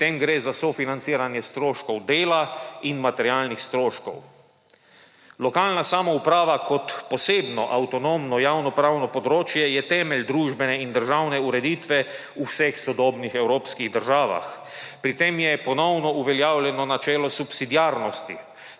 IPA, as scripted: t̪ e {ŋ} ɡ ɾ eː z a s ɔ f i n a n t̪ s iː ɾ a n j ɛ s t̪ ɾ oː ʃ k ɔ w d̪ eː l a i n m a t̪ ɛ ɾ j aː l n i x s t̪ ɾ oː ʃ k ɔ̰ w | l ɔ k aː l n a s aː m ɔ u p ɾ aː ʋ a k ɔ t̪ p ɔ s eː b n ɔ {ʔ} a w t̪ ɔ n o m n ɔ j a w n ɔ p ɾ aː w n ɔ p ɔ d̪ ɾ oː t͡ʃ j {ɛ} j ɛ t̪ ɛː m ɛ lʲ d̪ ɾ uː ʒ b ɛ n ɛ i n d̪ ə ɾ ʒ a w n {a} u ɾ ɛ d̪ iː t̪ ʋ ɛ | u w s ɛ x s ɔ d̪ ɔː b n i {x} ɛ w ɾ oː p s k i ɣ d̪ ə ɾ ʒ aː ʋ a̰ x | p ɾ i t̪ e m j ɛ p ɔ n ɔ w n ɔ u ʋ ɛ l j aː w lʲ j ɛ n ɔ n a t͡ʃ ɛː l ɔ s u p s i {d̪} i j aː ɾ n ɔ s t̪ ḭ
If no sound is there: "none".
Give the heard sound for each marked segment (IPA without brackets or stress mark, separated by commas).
m, ʔ, ɛ, ɛ, x, d̪